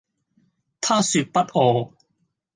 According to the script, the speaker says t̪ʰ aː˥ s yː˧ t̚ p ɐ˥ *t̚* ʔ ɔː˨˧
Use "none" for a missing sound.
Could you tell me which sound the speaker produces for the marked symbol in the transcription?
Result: t̚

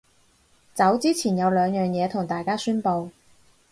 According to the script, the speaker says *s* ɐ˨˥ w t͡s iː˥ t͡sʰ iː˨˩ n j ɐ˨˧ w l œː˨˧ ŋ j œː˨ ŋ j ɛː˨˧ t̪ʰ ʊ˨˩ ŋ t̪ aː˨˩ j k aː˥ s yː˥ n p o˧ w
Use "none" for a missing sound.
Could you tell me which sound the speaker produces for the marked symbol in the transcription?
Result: t͡s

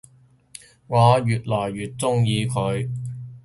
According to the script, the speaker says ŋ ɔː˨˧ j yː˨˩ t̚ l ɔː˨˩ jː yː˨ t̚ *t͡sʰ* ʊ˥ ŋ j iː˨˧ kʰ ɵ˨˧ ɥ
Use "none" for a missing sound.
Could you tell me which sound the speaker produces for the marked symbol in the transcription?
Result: t͡s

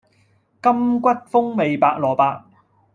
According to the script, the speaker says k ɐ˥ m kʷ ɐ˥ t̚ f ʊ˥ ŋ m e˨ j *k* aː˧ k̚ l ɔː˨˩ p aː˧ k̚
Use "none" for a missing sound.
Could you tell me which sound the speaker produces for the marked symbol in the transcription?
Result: p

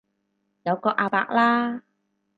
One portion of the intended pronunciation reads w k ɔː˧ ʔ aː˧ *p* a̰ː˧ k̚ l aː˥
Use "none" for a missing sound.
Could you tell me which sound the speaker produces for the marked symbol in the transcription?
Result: p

